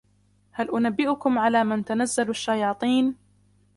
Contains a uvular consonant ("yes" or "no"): no